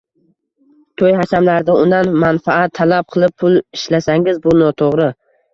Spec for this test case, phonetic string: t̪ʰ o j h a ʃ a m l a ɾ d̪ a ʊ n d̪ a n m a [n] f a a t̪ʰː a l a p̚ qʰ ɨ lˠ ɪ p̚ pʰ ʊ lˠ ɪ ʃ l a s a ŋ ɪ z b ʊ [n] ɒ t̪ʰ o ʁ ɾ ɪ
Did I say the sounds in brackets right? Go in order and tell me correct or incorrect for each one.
correct, correct

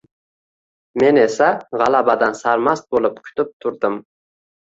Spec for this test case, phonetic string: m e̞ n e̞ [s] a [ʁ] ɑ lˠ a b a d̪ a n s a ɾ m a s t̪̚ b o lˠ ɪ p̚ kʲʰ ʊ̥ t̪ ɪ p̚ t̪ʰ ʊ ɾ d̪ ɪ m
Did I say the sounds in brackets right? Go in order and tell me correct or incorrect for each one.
correct, correct

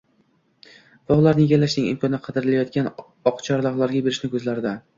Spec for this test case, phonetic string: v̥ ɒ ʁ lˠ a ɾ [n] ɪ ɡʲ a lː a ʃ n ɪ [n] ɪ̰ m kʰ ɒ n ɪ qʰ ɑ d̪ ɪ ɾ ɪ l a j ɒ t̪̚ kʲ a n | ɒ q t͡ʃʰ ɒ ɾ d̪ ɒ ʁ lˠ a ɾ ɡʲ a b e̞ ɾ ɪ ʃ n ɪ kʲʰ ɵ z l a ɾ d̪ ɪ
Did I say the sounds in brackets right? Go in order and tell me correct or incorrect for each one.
correct, incorrect: ŋ

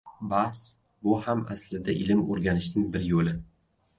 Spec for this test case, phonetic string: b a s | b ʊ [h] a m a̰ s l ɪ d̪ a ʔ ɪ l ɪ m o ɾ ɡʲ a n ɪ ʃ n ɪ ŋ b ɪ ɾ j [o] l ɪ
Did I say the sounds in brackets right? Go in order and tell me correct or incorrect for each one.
correct, correct

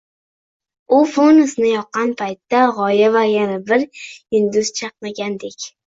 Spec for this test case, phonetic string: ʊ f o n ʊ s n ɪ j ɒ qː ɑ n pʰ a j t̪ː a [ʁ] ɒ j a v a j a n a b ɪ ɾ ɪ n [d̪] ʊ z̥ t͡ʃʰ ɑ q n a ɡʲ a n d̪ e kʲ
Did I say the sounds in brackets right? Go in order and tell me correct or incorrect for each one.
correct, correct

